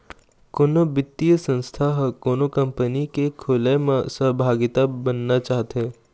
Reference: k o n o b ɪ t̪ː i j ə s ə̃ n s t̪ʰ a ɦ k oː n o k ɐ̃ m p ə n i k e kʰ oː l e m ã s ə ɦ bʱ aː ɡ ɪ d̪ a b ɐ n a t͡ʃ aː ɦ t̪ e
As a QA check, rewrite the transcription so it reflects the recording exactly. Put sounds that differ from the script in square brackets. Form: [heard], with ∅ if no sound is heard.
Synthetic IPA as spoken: k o n o b ɪ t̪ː i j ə s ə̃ n s t̪ʰ a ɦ k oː n o k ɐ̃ m p ə n i k e kʰ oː l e m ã s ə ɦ bʱ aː ɡ ɪ [t̪] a b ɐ [nː] a t͡ʃ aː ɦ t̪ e